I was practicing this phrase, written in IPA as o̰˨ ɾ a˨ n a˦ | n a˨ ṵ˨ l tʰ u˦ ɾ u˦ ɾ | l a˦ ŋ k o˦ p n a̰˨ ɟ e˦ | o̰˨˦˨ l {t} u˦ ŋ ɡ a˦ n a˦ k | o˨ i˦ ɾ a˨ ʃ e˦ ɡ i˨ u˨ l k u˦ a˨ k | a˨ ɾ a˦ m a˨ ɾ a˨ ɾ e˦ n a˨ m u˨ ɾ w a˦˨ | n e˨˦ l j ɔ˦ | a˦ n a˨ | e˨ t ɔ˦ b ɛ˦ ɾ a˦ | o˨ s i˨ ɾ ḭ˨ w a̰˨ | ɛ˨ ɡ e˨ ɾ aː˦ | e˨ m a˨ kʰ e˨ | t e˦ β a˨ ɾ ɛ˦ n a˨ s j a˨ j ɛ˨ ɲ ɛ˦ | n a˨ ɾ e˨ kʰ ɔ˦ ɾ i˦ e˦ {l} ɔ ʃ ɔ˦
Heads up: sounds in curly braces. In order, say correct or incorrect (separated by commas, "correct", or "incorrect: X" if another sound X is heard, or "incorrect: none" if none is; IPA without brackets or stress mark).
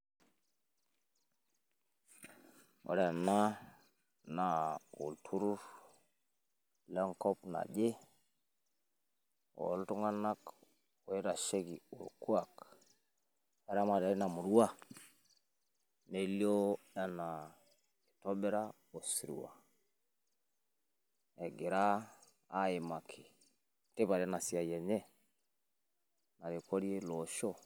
correct, correct